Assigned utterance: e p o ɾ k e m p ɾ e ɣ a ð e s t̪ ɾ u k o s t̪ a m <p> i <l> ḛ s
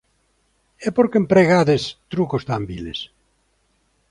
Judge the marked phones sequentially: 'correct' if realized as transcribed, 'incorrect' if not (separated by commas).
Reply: incorrect, correct